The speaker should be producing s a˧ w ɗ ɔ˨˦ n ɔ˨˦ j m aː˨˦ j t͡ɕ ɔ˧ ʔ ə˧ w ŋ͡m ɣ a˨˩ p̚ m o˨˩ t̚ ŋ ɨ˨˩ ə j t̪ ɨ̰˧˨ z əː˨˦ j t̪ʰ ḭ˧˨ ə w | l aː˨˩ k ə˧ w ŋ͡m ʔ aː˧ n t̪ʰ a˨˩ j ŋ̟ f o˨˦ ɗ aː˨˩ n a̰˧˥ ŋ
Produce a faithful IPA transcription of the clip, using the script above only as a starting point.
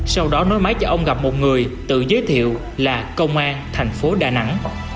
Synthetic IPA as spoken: s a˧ w ɗ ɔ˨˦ n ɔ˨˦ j m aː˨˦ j t͡ɕ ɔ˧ ʔ ə˧ w ŋ͡m ɣ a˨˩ p̚ m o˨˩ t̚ ŋ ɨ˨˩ ə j t̪ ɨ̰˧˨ z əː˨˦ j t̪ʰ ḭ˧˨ ə w | l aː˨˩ k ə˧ w ŋ͡m ʔ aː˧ n t̪ʰ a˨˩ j ŋ̟ f o˨˦ ɗ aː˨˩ n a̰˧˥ ŋ